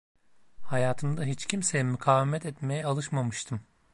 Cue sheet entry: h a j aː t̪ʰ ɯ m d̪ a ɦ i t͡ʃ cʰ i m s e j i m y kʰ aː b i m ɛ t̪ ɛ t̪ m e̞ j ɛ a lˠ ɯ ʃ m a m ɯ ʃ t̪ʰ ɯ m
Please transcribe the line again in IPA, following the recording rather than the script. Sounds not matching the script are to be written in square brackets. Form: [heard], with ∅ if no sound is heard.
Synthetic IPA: h a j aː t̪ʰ ɯ m d̪ a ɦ i t͡ʃ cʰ i m s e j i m y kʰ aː [v] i m ɛ t̪ ɛ t̪ m e̞ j ɛ a lˠ ɯ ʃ m a m ɯ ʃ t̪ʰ ɯ m